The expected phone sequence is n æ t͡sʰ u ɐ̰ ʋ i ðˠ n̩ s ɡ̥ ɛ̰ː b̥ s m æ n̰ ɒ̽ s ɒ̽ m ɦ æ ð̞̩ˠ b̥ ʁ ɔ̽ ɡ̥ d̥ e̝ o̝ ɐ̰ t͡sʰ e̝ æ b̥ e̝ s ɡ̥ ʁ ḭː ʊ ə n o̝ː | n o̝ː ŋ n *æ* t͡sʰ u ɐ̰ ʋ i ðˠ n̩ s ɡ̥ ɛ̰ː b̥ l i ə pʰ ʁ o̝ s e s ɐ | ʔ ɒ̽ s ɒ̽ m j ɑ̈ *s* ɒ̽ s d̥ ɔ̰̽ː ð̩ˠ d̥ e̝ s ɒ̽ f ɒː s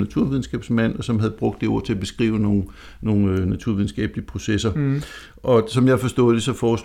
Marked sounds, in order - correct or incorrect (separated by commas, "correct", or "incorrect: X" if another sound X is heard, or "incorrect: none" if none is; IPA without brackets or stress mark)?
correct, incorrect: f